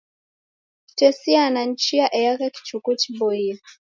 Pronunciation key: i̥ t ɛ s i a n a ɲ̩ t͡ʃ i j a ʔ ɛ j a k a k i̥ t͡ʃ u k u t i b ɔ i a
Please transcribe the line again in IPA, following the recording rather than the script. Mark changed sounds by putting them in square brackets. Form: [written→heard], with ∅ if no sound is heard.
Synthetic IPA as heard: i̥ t ɛ s i a n a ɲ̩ t͡ʃ i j a ʔ ɛ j a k a k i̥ t͡ʃ u k u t i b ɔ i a

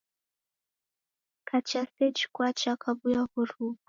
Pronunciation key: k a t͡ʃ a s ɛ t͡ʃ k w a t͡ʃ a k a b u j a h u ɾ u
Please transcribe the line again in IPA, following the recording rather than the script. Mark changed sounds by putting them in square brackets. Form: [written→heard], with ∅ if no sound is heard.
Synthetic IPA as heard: k a t͡ʃ a s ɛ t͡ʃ k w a t͡ʃ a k a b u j a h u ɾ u

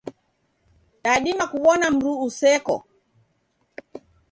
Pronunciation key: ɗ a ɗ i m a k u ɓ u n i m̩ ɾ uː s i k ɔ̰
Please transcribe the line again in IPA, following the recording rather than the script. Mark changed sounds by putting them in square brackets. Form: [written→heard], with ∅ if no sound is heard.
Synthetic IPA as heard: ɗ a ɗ i m a k u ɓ [u→ɔ] n [i→a] m̩ ɾ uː s [i→ɛ] k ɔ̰

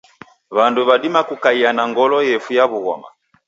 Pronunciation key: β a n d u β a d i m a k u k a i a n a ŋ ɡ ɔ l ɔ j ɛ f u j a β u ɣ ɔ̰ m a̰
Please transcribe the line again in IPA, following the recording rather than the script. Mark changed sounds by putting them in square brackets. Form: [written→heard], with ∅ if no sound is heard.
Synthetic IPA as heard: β a n d u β a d i m a k u k a i a n a ŋ ɡ ɔ l ɔ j ɛ f u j a β u ɣ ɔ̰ m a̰

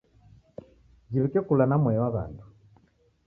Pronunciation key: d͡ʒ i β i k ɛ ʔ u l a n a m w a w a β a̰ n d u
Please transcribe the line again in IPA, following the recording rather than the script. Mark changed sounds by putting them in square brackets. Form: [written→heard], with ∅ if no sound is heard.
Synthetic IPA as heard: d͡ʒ i β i k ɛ [ʔ→k] u l a n a m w [a→ɛ] w a β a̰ n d u

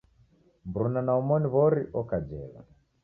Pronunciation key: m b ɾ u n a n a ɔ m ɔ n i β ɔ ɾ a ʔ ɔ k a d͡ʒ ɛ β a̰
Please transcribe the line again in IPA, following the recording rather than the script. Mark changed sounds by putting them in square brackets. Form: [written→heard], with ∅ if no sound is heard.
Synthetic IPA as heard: m b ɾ u n a n a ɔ m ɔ n i β ɔ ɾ [a→i] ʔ ɔ k a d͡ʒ ɛ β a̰

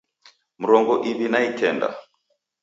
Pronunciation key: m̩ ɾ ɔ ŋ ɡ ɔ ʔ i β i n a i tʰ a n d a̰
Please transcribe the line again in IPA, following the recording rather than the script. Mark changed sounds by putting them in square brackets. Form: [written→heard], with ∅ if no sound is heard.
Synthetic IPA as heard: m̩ ɾ ɔ ŋ ɡ ɔ ʔ i β i n a i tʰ [a→ɛ] n d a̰

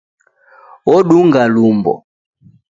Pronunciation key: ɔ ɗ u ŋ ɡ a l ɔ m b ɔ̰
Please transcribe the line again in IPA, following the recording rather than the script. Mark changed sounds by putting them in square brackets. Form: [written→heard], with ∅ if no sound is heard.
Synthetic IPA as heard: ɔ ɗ u ŋ ɡ a l [ɔ→u] m b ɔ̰

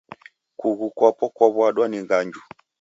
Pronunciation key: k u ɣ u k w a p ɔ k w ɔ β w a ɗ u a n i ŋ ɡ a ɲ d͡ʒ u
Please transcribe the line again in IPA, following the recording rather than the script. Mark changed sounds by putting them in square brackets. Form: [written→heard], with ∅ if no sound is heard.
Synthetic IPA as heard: k u ɣ u k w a p ɔ k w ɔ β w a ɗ [u→w] a n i ŋ ɡ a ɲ d͡ʒ u

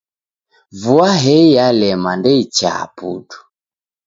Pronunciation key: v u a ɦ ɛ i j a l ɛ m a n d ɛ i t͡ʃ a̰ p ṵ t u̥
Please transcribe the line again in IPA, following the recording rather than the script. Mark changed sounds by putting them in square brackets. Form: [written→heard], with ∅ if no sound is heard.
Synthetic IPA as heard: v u a ɦ ɛ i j a l ɛ m a n d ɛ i t͡ʃ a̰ p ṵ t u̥

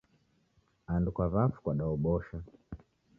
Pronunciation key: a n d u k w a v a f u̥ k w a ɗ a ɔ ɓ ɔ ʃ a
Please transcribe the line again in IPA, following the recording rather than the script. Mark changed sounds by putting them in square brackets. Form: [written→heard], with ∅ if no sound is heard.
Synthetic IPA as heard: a n d u k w a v a f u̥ k w a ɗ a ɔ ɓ ɔ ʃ a

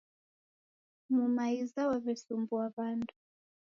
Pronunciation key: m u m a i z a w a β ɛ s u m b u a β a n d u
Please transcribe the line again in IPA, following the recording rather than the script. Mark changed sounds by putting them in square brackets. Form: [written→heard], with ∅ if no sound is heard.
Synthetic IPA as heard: m u m a i z a w a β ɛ s u m b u a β a n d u

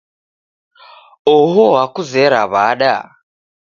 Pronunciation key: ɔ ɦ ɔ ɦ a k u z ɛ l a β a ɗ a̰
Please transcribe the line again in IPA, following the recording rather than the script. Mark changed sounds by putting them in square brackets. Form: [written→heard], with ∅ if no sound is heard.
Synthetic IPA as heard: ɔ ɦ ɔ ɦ a k u z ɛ [l→ɾ] a β a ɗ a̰

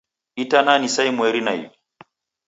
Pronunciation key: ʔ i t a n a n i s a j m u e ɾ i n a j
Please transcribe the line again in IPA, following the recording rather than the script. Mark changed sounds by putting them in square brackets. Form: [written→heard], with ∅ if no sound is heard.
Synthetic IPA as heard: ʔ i t a n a n i s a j m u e ɾ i n a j

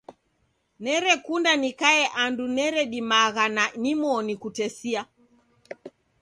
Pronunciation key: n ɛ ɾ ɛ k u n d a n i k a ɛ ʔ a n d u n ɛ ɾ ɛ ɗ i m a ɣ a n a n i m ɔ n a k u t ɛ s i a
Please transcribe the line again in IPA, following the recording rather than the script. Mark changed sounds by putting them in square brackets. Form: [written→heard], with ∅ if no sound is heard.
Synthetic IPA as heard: n ɛ ɾ ɛ k u n d a n i k a ɛ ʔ a n d u n ɛ ɾ ɛ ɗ i m a ɣ a n a n i m ɔ n [a→i] k u t ɛ s i a

